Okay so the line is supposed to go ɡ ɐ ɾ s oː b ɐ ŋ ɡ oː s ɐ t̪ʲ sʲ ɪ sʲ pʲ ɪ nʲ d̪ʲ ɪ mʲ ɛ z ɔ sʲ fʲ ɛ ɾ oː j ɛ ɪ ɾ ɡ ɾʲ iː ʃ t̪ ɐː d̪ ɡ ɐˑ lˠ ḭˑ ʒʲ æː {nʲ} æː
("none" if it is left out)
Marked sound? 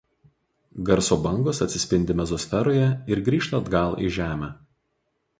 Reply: mʲ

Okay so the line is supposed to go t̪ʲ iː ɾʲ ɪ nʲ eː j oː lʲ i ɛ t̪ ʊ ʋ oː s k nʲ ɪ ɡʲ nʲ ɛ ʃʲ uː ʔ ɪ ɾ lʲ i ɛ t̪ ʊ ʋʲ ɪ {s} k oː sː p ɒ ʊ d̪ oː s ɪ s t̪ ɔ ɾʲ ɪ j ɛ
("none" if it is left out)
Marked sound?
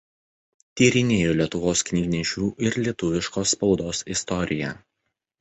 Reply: ʃ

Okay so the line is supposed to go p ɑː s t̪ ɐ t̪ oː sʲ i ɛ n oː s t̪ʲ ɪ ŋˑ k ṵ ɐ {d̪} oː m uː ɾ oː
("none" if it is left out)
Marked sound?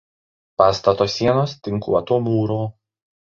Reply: t̪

